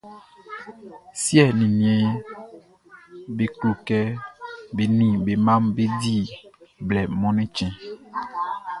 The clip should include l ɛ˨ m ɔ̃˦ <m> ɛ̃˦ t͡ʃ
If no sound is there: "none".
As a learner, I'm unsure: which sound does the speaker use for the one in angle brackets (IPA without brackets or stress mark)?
n